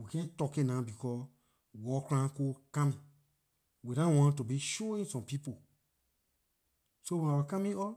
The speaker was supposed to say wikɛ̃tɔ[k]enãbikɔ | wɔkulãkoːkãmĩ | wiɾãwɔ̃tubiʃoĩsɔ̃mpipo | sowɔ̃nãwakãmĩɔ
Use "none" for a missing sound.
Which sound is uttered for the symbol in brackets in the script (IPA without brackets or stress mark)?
k